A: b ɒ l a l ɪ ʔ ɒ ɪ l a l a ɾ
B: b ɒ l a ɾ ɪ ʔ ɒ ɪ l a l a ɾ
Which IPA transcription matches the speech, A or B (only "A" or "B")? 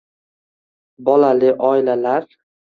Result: A